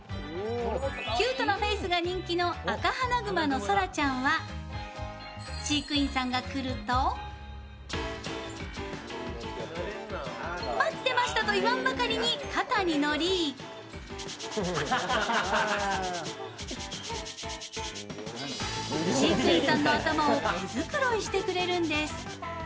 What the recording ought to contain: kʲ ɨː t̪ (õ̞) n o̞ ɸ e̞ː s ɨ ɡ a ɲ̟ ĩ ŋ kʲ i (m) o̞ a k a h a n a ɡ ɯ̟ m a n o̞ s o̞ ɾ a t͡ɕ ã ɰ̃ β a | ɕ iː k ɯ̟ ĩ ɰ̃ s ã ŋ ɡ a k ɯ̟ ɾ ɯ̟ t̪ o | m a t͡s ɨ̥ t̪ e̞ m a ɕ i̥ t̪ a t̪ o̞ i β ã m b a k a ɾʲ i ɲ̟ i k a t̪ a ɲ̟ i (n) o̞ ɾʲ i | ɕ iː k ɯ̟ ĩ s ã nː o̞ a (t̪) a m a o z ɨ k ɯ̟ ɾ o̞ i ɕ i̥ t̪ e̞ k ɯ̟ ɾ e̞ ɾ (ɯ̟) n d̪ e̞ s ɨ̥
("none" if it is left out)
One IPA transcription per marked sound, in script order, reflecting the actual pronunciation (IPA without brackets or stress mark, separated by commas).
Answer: o̞, n, n, t̪, ɯ̟̃